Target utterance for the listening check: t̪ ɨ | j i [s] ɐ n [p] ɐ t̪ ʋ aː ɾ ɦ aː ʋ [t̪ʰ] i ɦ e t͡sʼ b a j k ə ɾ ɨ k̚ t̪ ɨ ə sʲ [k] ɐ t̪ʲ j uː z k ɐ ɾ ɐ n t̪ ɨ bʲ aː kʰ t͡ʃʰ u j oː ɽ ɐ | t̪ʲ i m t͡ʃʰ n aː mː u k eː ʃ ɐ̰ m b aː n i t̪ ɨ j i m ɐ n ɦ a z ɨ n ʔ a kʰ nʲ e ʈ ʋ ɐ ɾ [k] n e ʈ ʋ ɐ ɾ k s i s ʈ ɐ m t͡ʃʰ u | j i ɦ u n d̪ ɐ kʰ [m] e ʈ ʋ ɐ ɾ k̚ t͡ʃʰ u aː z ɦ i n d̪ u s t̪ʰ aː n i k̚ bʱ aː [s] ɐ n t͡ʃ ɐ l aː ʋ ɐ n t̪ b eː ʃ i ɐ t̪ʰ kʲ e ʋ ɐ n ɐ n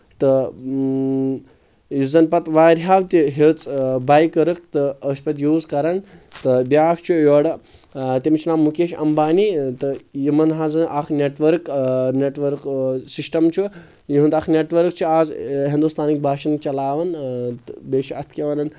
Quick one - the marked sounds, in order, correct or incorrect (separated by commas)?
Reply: incorrect, correct, incorrect, incorrect, correct, incorrect, incorrect